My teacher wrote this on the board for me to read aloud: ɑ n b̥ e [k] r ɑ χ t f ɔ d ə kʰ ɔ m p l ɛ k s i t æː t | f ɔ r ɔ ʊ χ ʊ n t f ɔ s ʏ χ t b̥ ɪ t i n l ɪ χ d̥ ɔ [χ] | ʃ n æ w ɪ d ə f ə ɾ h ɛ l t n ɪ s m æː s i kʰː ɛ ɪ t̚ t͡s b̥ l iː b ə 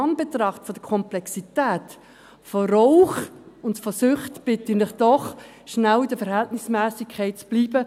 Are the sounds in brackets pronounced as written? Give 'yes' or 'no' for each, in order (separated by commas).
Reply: no, yes